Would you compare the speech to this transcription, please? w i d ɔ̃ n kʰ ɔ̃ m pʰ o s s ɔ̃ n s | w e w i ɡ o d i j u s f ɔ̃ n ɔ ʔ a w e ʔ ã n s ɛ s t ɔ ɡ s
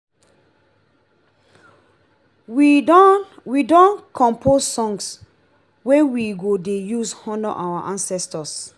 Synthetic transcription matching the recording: w i d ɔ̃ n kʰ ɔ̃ m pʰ o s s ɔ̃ ŋ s | w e w i ɡ o d e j u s h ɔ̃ n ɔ ʔ a w a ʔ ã n s ɛ s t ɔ s